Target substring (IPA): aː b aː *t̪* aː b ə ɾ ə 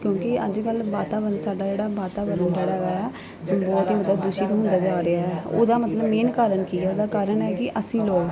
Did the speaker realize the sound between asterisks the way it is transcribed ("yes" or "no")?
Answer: yes